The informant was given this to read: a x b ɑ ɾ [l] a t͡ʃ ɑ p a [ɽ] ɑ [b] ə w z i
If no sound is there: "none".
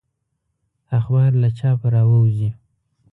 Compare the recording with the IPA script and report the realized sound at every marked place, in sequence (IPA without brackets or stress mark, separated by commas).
l, ɾ, w